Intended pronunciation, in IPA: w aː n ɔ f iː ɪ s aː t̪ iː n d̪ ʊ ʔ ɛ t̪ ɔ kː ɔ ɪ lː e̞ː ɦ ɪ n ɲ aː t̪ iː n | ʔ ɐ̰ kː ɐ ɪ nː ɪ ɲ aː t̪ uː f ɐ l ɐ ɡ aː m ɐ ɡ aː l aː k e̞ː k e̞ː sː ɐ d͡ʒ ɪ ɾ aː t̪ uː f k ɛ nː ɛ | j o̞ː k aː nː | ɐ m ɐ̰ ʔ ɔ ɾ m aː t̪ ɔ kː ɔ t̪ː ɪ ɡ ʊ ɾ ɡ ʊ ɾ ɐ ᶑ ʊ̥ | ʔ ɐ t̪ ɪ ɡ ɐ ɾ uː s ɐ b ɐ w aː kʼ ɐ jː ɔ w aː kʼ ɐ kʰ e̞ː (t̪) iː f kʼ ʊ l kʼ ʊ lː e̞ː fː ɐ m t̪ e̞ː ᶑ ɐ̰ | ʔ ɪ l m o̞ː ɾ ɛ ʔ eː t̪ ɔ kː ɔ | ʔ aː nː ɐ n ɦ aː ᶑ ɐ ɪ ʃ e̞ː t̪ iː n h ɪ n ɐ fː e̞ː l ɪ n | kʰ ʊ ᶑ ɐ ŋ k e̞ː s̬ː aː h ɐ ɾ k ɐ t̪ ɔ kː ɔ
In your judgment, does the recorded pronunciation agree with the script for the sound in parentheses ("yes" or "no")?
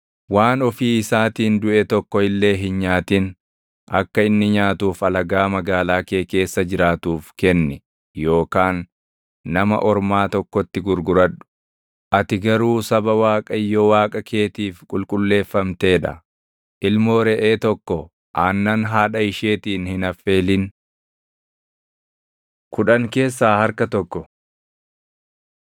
yes